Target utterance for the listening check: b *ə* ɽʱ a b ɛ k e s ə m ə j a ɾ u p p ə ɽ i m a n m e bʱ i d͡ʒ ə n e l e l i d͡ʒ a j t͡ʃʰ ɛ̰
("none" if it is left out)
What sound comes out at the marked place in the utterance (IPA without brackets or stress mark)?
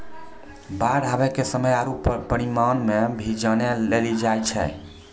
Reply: a